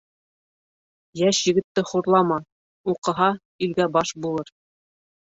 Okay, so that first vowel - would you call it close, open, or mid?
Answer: open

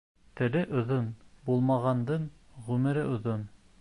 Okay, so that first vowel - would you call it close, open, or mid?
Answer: mid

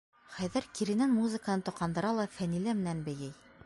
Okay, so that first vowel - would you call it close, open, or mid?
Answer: open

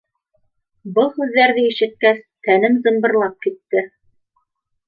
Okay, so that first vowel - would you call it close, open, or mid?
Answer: mid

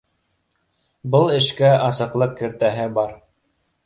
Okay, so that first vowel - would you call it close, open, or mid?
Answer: mid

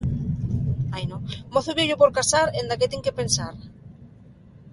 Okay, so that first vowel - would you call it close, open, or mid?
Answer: open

